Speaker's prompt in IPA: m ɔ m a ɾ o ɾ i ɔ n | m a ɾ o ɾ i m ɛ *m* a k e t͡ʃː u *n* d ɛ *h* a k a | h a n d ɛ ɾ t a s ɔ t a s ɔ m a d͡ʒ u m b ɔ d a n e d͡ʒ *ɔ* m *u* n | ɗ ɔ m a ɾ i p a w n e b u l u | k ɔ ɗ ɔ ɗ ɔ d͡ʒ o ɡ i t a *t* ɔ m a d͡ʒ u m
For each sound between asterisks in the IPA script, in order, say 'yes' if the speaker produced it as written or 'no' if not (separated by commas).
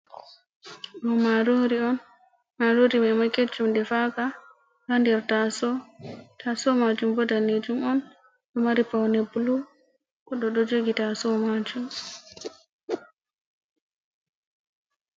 yes, no, no, no, no, no